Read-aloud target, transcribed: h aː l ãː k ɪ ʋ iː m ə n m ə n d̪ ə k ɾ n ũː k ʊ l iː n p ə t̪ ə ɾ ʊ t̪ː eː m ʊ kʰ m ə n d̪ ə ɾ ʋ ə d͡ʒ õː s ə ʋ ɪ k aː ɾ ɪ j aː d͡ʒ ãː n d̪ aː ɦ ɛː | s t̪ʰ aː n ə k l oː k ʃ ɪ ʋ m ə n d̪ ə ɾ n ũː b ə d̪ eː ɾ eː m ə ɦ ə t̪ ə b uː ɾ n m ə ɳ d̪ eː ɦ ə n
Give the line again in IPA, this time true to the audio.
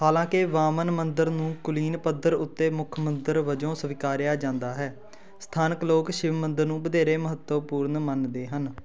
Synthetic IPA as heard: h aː l ãː k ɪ ʋ aː m ə n m ə n d̪ ə ɾ n ũː k ʊ l iː n p ə d̪ ə ɾ ʊ t̪ː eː m ʊ kʰ m ə n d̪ ə ɾ ʋ ə d͡ʒ õː s ə ʋ ɪ k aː ɾ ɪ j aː d͡ʒ ãː n d̪ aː ɦ ɛː | s t̪ʰ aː n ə k l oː k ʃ ɪ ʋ m ə n d̪ ə ɾ n ũː b ə d̪ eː ɾ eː m ə ɦ ə t̪ ə p uː ɾ n m ə n d̪ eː ɦ ə n

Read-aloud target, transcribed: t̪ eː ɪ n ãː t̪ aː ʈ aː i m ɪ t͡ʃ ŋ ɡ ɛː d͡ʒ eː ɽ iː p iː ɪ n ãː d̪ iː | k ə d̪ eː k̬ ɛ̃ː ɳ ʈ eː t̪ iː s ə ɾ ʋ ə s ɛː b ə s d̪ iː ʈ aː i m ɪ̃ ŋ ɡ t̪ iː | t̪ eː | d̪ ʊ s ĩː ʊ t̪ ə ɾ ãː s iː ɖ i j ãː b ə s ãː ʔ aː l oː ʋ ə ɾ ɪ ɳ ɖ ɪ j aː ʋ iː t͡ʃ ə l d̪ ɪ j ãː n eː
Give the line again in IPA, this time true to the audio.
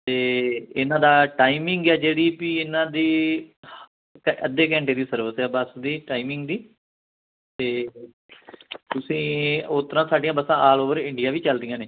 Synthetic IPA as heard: t̪ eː ɪ n ãː d̪ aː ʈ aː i m ɪ ŋ ɡ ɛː d͡ʒ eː ɽ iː p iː ɪ n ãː d̪ iː | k ə d̪ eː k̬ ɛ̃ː ɳ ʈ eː d̪ iː s ə ɾ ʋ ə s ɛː b ə s d̪ iː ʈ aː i m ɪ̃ ŋ ɡ d̪ iː | t̪ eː | t̪ ʊ s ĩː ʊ t̪ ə ɾ ãː s aː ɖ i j ãː b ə s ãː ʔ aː l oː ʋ ə ɾ ɪ ɳ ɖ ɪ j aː ʋ iː t͡ʃ ə l d̪ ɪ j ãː n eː

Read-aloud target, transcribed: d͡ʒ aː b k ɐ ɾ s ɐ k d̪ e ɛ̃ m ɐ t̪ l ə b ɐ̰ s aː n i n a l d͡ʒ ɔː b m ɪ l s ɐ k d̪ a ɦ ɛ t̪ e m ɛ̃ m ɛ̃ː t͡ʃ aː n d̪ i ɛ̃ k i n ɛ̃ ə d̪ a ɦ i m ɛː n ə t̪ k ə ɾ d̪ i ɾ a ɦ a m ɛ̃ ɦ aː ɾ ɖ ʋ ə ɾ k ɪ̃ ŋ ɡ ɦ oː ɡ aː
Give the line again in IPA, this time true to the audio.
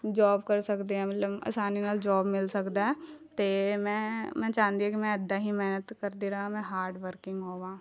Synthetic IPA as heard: d͡ʒ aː b k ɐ ɾ s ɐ k d̪ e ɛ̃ m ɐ t̪ l ə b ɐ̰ s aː n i n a l d͡ʒ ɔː b m ɪ l s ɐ k d̪ a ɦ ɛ t̪ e m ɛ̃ m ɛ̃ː t͡ʃ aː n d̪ i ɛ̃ k i m ɛ̃ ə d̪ a ɦ i m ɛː n ə t̪ k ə ɾ d̪ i ɾ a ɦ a m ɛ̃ ɦ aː ɾ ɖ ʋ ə ɾ k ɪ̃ ŋ ɡ ɦ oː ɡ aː

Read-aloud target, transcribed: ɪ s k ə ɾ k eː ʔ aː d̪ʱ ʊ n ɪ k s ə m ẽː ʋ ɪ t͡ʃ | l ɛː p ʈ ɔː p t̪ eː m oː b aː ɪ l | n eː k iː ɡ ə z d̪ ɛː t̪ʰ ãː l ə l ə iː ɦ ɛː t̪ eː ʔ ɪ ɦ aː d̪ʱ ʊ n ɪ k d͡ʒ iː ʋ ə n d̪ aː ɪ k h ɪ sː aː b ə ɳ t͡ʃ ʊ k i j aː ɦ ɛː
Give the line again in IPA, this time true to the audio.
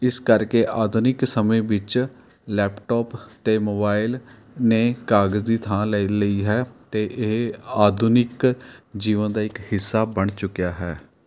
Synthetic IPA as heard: ɪ s k ə ɾ k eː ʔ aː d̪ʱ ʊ n ɪ k s ə m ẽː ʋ ɪ t͡ʃ | l ɛː p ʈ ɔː p t̪ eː m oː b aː ɪ l | n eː k aː ɡ ə z d̪ iː t̪ʰ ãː l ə l ə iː ɦ ɛː t̪ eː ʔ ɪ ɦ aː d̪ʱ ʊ n ɪ k d͡ʒ iː ʋ ə n d̪ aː ɪ k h ɪ sː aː b ə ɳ t͡ʃ ʊ k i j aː ɦ ɛː

